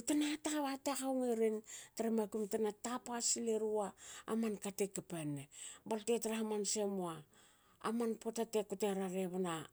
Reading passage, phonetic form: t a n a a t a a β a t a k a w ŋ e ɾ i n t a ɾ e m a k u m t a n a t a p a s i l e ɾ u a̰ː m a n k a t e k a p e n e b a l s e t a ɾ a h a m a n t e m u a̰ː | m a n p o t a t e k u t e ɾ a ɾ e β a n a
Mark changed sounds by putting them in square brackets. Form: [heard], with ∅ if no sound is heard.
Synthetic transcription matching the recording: t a n a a t a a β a t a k a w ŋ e ɾ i n t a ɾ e m a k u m t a n a t a p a s i l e ɾ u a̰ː m a n k a t e k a p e n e b a l [t] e t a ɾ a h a m a n [s] e m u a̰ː | m a n p o t a t e k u t e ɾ a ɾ e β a n a

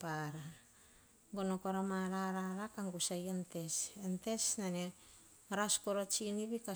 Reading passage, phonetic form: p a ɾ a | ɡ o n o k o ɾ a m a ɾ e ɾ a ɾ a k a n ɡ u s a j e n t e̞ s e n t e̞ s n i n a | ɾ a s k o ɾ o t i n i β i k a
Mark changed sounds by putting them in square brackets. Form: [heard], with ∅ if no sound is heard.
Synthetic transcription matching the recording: p a ɾ a | ɡ o n o k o ɾ a m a ɾ [a] ɾ a ɾ a k a [ŋ] ɡ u s a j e n t e̞ s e n t e̞ s n [a] n [e] | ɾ a s k o ɾ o [t͡ʃ] i n i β i k a

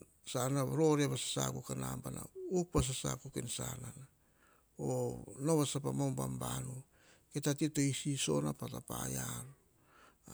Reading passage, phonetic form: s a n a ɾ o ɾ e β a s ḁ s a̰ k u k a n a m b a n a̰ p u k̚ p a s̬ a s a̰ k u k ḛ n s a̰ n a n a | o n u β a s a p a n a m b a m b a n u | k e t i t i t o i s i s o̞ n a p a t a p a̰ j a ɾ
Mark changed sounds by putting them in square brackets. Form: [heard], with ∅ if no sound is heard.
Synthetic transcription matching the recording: s a n a ɾ o ɾ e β a s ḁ s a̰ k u k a n a m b a n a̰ [∅] u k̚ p a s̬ a s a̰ k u k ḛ n s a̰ n a n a | o n [o] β a s a p a [m] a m b a m b a n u | k e t [a] t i t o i s i s o̞ n a p a t a p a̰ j a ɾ

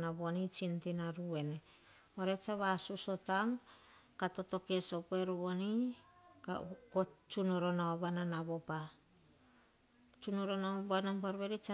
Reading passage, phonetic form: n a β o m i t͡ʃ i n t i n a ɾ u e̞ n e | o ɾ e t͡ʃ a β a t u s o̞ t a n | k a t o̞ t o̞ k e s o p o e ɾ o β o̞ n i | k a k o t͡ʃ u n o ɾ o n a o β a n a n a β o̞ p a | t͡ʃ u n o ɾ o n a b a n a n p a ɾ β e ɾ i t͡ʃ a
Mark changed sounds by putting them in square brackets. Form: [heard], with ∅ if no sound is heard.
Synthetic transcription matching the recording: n a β o [n] i t͡ʃ i n t i n a ɾ u e̞ n e | o ɾ e t͡ʃ a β a [s] u s o̞ t a [ŋ] | k a t o̞ t o̞ k e s o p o e ɾ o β o̞ n i | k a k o t͡ʃ u n o ɾ o n a o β a n a n a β o̞ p a | t͡ʃ u n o ɾ o n a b a n a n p a ɾ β e ɾ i t͡ʃ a

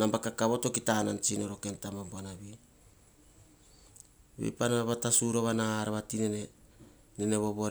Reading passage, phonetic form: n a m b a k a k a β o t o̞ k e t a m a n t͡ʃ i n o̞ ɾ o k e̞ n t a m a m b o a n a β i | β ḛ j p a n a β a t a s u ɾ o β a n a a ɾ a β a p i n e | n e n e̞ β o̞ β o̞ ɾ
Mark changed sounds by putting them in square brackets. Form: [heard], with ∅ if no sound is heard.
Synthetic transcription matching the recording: n a m b a k a k a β o t o̞ k [i] t a [n] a n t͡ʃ i n o̞ ɾ o k e̞ n t a m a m b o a n a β i | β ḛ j p a n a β a t a s u ɾ o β a n a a ɾ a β a [t] i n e | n e n e̞ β o̞ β o̞ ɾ

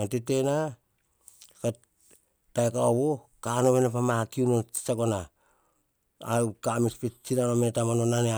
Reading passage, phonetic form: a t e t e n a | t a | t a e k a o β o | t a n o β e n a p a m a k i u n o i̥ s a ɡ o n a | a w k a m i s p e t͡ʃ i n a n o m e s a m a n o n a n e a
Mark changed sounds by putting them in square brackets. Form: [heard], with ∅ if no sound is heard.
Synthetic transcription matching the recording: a t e t e n a | [k] a | t a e k a o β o | [k] a n o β e n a p a m a k i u n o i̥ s a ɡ o n a | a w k a m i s p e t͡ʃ i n a n o m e [t] a m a n o n a n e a

